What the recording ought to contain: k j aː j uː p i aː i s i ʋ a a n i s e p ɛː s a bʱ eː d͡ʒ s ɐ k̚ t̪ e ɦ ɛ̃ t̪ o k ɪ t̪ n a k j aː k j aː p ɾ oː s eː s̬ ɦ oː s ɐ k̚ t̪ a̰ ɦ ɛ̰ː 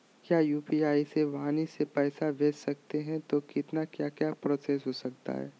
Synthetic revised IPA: k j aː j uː p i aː i s e ʋ a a n i s e p ɛː s a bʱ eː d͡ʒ s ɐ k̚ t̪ e ɦ ɛ̃ t̪ o k ɪ t̪ n a k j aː k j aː p ɾ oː s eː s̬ ɦ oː s ɐ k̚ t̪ a̰ ɦ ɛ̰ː